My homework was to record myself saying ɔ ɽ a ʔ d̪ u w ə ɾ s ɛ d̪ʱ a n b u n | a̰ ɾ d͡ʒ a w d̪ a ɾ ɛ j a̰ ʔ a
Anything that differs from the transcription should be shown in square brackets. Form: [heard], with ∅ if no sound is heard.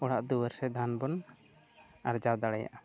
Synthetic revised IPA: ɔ ɽ a ʔ d̪ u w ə ɾ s ɛ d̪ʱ a n b [ɔ] n | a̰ ɾ d͡ʒ a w d̪ a [ɽ] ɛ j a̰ ʔ a